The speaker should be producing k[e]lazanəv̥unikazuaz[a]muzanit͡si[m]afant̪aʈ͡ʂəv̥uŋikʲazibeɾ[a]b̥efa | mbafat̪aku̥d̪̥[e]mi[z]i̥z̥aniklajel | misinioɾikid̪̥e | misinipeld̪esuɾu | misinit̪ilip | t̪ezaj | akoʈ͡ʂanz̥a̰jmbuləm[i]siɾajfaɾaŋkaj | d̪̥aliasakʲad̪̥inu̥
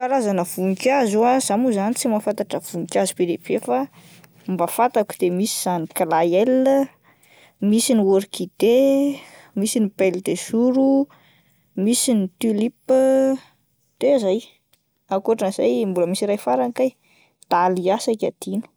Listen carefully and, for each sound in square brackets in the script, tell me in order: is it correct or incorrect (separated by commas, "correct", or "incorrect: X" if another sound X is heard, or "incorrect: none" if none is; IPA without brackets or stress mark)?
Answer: incorrect: a, correct, correct, incorrect: e, correct, incorrect: s, correct